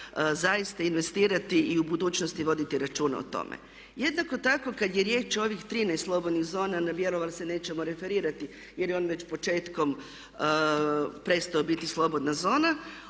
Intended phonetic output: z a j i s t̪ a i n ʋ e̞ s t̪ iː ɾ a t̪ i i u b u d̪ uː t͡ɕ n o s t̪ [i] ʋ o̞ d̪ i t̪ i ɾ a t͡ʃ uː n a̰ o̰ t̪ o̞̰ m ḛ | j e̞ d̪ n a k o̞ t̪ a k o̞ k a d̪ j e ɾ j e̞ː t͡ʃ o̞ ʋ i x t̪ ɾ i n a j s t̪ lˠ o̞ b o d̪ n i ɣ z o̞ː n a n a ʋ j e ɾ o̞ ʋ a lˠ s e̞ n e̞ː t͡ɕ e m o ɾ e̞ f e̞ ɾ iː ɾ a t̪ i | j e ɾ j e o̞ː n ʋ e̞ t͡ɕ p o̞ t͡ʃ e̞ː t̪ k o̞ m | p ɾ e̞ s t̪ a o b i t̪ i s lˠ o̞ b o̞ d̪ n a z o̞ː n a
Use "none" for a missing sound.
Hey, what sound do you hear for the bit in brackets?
i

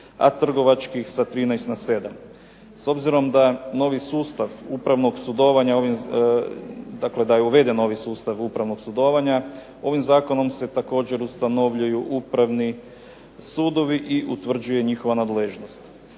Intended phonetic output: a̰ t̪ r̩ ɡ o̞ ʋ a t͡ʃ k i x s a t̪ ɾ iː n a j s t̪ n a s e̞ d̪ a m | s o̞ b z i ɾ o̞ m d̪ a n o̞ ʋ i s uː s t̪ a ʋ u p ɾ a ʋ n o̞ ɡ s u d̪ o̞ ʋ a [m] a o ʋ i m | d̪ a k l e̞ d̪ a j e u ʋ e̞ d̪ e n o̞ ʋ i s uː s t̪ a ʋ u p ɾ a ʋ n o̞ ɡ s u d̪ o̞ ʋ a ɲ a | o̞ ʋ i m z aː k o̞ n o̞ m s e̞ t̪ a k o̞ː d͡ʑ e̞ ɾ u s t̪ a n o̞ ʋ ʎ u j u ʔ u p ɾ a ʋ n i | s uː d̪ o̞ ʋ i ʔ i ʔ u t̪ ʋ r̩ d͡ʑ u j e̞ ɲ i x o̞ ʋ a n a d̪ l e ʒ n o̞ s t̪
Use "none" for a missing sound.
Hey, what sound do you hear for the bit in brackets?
ɲ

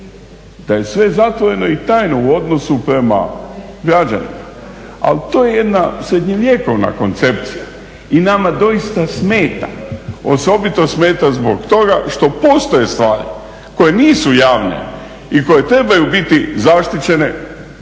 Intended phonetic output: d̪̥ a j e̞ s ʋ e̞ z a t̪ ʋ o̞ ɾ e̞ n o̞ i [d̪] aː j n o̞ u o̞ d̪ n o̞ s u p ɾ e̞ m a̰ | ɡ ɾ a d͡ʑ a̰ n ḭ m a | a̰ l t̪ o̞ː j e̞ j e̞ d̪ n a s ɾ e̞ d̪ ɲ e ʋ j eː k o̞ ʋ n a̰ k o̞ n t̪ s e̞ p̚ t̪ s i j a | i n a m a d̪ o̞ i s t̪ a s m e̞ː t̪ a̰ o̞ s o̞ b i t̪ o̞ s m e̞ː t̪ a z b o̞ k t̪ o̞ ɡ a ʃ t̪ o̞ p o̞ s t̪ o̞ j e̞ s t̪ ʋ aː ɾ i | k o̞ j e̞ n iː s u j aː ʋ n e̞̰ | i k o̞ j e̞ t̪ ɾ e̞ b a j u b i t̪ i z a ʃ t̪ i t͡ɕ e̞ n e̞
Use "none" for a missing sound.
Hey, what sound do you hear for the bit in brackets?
t̪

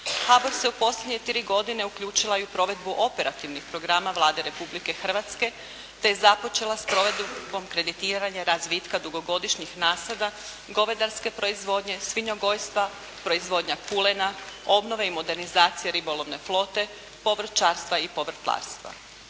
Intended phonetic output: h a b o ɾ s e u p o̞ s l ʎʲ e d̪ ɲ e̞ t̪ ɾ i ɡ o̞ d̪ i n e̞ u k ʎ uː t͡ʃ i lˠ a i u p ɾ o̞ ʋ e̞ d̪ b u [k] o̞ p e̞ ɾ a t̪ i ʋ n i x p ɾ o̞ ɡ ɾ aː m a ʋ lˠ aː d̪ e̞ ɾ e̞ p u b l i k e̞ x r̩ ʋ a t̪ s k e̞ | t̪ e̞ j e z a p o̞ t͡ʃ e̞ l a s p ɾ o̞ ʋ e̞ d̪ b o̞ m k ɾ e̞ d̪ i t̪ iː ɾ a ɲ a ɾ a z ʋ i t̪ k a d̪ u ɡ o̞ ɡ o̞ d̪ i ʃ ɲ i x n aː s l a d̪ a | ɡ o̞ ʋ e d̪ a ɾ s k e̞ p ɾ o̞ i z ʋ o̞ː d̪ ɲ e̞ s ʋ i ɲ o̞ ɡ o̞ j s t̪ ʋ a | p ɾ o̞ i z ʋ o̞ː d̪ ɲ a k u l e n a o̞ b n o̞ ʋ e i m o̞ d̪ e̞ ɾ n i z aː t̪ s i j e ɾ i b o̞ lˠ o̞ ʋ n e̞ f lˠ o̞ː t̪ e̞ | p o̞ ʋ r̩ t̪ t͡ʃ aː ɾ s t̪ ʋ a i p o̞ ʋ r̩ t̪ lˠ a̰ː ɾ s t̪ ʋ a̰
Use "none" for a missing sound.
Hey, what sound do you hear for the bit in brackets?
ʔ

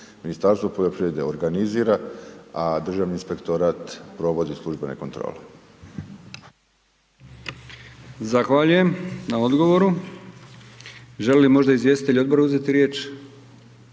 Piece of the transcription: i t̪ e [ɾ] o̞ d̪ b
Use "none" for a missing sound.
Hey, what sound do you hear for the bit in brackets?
ʎ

